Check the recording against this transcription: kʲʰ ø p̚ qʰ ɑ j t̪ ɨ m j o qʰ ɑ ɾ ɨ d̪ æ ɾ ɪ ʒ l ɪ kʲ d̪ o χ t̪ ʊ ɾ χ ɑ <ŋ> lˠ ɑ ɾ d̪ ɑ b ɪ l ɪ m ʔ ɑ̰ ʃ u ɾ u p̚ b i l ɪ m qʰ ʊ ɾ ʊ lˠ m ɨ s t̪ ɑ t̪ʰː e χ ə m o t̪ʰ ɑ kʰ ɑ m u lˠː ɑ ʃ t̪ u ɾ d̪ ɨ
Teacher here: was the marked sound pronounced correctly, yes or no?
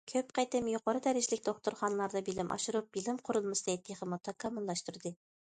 no